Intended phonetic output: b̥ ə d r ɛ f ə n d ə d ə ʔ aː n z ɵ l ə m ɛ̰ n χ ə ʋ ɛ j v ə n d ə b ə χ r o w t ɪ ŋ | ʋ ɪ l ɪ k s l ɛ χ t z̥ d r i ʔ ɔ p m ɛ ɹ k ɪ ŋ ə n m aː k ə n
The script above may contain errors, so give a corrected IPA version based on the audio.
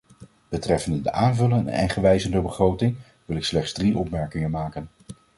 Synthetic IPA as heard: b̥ ə t r ɛ f ə n d ə d ə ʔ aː n v ɵ l ə n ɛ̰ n χ ə ʋ ɛ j z ə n d ə b ə χ r o w t ɪ ŋ | ʋ ɪ l ɪ k s l ɛ χ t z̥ d r i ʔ ɔ p m ɛ ɹ k ɪ ŋ ə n m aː k ə n